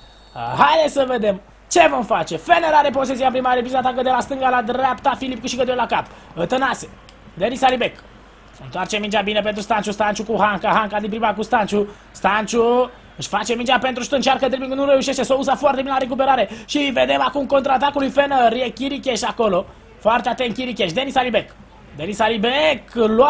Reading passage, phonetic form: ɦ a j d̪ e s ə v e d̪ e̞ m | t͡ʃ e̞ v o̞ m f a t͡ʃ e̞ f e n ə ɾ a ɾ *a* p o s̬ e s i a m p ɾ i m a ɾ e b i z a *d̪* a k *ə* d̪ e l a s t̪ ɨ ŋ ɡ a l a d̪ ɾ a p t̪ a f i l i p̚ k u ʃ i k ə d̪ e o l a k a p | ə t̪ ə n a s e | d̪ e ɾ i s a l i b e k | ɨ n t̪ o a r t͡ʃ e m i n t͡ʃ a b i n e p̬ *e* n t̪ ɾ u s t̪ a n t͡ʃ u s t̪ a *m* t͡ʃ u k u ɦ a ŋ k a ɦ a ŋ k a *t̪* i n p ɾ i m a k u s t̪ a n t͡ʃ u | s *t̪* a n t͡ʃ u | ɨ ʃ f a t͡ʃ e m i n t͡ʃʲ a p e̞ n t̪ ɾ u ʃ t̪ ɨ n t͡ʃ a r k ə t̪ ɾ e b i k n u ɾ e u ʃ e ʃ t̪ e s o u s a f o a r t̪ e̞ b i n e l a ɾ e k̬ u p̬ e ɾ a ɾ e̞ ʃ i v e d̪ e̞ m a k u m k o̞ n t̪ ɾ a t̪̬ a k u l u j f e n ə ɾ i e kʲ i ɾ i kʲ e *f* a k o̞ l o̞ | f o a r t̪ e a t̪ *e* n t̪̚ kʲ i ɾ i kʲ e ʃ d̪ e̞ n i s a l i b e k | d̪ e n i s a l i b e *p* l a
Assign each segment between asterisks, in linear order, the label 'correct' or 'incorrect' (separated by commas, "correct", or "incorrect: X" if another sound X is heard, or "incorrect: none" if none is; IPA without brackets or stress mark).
incorrect: e, incorrect: t̪, correct, correct, incorrect: n, incorrect: d̪, correct, incorrect: ʃ, correct, incorrect: k